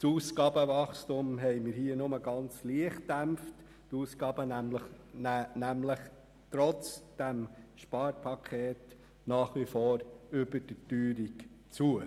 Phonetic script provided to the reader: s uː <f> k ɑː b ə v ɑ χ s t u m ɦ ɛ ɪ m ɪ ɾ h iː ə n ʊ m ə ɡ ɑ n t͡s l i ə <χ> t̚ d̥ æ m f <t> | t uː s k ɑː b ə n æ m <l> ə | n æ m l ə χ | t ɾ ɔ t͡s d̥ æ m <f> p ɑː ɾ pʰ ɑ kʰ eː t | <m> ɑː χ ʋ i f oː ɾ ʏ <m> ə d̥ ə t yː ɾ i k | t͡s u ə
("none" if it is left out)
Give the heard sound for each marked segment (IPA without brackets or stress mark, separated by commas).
s, χ, t, l, ʃ, n, b